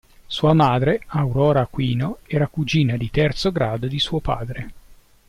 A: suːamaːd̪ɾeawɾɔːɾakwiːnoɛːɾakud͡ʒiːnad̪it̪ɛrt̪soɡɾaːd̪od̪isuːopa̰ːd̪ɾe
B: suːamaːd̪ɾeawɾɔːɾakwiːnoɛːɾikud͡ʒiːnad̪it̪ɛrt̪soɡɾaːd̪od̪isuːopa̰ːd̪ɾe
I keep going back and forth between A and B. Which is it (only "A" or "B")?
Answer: A